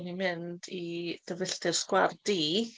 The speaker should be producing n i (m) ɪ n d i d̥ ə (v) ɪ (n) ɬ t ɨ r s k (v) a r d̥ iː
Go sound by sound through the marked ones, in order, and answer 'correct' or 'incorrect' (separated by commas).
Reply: correct, correct, incorrect, incorrect